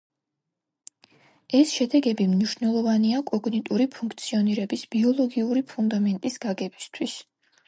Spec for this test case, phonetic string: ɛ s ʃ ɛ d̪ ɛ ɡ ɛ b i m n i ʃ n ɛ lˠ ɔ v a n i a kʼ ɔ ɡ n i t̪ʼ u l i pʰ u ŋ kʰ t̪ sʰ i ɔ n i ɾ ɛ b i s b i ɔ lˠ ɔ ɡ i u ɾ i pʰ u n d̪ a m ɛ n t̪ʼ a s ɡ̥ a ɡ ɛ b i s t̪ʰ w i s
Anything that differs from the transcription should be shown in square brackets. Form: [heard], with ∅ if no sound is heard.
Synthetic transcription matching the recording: ɛ s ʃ ɛ d̪ ɛ ɡ ɛ b i m n i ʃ n ɛ lˠ ɔ v a n i a kʼ ɔ ɡ n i t̪ʼ u [ɾ] i pʰ u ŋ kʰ t̪ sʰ i ɔ n i ɾ ɛ b i s b i ɔ lˠ ɔ ɡ i u ɾ i pʰ u n d̪ a m ɛ n t̪ʼ [i] s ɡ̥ a ɡ ɛ b i s t̪ʰ w i s